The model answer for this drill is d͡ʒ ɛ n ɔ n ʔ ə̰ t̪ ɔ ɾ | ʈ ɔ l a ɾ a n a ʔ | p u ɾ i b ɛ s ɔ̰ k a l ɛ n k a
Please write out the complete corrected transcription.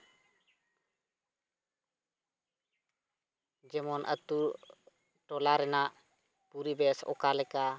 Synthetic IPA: d͡ʒ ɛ m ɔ n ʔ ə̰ t̪ u ɾ | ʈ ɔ l a ɾ ɛ n a ʔ | p u ɾ i b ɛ s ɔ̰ k a l ɛ k a